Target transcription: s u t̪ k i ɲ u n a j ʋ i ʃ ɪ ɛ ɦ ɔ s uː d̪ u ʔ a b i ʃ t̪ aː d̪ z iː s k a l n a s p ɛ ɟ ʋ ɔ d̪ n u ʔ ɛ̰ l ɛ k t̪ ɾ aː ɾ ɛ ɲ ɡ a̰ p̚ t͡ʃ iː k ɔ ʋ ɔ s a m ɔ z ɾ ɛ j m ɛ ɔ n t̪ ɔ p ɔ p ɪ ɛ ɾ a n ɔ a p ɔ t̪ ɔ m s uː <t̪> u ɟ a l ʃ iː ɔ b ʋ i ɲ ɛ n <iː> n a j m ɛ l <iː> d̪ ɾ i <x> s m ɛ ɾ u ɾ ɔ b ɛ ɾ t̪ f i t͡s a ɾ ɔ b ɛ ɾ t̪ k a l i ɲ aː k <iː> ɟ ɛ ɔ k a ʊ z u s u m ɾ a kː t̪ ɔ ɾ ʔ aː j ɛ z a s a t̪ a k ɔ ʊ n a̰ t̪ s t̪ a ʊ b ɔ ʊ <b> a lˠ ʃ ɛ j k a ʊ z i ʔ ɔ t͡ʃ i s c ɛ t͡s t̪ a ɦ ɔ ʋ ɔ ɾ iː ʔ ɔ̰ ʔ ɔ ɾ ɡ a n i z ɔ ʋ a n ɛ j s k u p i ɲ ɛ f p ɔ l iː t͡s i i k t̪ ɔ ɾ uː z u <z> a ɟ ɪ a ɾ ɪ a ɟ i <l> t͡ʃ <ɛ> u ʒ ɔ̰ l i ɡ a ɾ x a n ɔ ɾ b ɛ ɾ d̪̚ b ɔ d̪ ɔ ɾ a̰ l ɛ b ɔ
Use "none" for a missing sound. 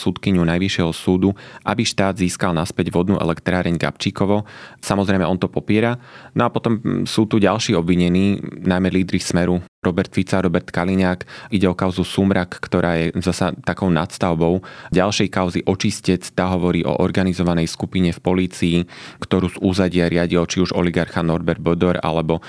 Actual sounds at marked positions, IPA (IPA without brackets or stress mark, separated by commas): t̪, iː, iː, x, i, ɟ, z, l, i